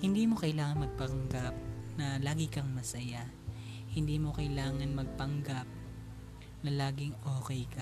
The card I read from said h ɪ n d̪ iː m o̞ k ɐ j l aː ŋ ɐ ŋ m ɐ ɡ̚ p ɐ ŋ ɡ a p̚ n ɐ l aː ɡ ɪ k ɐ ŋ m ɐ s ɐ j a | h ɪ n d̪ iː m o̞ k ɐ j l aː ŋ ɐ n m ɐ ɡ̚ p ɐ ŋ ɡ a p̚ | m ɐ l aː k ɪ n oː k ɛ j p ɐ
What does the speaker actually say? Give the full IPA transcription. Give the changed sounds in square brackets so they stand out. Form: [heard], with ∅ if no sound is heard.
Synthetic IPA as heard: h ɪ n d̪ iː m o̞ k ɐ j l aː ŋ ɐ [n] m ɐ ɡ̚ p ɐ ŋ ɡ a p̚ n ɐ l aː ɡ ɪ k ɐ ŋ m ɐ s ɐ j a | h ɪ n d̪ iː m o̞ k ɐ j l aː ŋ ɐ n m ɐ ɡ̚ p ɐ ŋ ɡ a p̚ | [n] ɐ l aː [ɡ] ɪ [ŋ] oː k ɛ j [k] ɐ